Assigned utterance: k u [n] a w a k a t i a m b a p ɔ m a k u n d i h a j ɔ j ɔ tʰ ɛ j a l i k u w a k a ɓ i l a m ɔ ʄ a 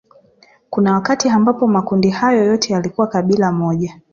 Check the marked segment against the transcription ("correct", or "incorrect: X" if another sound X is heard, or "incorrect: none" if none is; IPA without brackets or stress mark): correct